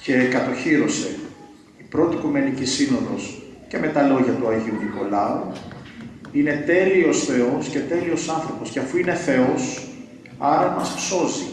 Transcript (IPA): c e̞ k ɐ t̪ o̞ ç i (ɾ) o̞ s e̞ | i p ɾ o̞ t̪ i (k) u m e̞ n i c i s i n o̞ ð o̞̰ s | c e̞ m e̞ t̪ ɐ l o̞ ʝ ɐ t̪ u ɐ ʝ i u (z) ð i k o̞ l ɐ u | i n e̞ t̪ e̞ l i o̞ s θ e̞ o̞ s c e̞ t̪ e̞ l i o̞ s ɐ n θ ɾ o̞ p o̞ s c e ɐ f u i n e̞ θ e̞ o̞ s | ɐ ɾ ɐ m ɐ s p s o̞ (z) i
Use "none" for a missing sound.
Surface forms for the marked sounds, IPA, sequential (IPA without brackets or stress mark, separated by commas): ɾ, k, none, z